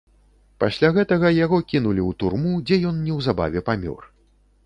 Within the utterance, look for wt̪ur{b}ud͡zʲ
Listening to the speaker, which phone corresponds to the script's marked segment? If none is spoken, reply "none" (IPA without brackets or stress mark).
m